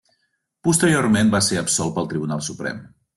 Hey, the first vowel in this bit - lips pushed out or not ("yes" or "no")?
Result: yes